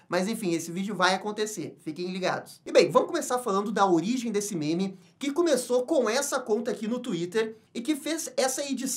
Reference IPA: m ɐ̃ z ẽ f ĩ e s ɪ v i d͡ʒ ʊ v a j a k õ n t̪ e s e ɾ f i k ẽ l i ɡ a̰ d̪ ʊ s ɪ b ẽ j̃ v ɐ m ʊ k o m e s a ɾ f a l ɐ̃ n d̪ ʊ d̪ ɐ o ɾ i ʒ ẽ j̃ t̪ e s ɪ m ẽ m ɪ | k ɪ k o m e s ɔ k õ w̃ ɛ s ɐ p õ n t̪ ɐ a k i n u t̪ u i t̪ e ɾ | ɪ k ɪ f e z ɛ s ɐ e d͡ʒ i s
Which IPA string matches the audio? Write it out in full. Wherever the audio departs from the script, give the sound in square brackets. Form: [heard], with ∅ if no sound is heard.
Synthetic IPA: m [ɐ] z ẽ f ĩ e s ɪ v i d͡ʒ ʊ v a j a k õ n t̪ e s e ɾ f i k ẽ l i ɡ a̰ d̪ ʊ s ɪ b ẽ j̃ v [ɐ̃] m ʊ k o m e s a ɾ f a l ɐ̃ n d̪ ʊ d̪ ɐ o ɾ i ʒ ẽ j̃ [d̪] e s ɪ m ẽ m ɪ | k ɪ k o m e s [o] k õ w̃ ɛ s ɐ [k] õ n t̪ ɐ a k i n [ʊ] t̪ u i t̪ e ɾ | ɪ k ɪ f e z ɛ s ɐ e d͡ʒ i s